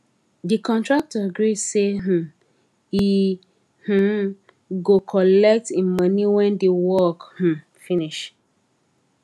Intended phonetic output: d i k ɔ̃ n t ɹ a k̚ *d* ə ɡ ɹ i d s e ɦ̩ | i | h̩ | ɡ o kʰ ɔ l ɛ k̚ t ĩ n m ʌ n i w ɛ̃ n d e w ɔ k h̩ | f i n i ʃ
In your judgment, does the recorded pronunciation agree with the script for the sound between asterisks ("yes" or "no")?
no